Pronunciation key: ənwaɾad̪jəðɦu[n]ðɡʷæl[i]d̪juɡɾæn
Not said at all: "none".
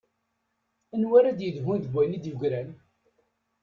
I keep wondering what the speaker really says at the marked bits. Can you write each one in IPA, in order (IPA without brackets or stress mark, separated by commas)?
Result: n, i